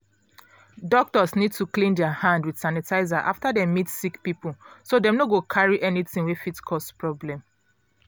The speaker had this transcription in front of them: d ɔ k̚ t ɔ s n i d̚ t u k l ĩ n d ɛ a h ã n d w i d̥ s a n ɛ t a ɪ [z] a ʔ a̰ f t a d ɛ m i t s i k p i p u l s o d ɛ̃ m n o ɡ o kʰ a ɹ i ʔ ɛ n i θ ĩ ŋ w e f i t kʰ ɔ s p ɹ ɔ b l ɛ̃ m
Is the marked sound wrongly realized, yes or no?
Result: no